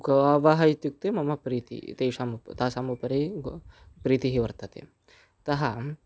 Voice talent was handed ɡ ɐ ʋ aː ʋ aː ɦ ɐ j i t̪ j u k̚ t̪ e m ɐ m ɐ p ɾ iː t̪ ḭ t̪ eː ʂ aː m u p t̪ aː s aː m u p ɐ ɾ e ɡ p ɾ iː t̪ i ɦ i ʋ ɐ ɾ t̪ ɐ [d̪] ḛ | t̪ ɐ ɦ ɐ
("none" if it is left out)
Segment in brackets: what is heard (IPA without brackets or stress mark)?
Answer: t̪